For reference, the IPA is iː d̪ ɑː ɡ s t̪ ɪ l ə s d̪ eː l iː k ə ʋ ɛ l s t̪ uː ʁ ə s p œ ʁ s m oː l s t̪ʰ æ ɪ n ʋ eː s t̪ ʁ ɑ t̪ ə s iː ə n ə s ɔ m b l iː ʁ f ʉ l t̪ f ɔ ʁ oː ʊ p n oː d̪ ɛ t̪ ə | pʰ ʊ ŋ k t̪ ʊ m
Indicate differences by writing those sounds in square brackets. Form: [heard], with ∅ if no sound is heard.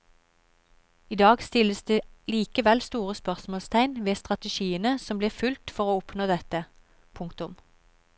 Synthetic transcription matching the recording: iː d̪ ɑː ɡ s t̪ ɪ l ə s d̪ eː l iː k ə ʋ ɛ l s t̪ uː ʁ ə s p œ ʁ s m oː l s t̪ʰ æ ɪ n ʋ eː s t̪ ʁ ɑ t̪ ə [ʃ] iː ə n ə s ɔ m b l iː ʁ f ʉ l t̪ f ɔ ʁ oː ʊ p n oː d̪ ɛ t̪ ə | pʰ ʊ ŋ k t̪ ʊ m